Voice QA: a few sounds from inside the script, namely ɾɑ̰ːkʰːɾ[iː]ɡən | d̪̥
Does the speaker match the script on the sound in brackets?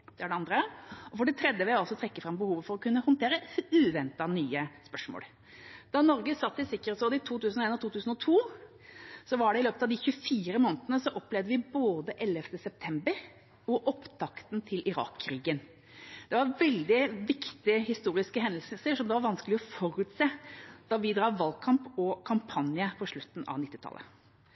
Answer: yes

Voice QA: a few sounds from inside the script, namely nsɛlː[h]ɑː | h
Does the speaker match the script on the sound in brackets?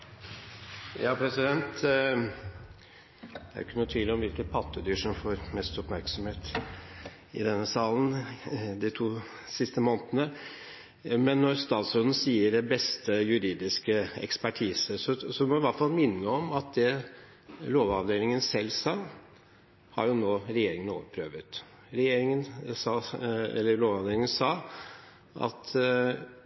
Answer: no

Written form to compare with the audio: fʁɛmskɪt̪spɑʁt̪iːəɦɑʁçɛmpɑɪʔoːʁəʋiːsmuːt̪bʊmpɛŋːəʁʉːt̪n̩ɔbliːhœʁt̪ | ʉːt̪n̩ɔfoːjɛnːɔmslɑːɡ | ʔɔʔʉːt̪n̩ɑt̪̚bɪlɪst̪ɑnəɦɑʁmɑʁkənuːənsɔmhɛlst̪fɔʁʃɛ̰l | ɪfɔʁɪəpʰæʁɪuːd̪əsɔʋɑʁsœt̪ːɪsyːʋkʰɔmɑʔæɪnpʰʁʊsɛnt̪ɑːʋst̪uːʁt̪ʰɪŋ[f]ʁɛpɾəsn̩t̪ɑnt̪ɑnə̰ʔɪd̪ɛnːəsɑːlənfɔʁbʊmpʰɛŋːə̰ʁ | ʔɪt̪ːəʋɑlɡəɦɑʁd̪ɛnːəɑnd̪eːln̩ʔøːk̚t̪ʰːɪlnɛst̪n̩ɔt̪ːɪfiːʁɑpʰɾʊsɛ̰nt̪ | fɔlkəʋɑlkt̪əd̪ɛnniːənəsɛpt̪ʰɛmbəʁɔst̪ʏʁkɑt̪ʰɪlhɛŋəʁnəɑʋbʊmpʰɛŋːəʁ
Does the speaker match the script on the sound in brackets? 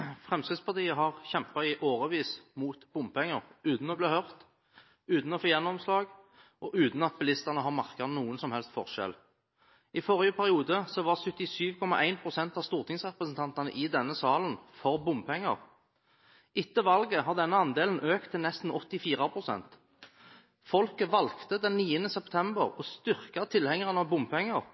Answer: no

